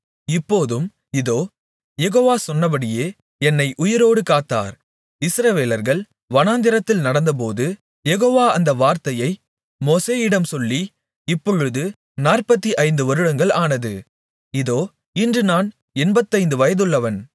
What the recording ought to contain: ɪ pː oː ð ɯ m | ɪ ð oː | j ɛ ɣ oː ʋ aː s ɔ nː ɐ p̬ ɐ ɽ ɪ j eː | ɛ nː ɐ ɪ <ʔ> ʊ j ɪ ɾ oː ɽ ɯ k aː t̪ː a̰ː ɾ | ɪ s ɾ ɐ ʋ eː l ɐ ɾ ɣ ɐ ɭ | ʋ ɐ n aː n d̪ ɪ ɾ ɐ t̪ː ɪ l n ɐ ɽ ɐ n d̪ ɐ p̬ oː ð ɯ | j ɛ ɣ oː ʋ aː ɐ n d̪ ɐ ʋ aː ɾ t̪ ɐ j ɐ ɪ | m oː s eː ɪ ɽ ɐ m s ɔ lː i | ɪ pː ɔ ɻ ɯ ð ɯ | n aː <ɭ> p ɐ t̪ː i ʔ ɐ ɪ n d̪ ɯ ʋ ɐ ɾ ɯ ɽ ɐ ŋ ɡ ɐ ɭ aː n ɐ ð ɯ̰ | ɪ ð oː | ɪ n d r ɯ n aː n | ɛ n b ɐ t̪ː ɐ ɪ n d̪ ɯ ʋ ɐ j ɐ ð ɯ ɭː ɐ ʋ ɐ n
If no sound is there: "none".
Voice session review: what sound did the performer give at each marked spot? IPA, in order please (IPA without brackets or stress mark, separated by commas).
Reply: ʔ, r